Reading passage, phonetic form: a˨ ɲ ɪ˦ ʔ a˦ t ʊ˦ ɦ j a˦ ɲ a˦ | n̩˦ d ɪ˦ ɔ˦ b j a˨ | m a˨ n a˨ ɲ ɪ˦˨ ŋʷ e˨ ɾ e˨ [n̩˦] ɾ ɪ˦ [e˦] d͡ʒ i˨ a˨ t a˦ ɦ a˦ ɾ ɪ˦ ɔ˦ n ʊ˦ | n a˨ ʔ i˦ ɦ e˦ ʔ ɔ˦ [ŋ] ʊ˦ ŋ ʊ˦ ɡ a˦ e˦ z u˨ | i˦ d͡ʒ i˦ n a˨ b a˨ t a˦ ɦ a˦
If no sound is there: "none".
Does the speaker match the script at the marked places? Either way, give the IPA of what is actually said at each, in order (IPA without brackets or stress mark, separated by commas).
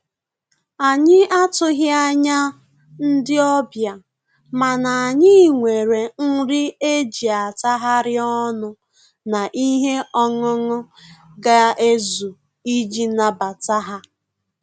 ŋ̩˦, e˦, ŋ